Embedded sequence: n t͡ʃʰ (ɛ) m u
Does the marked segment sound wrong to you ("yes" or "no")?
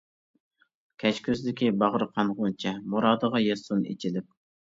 no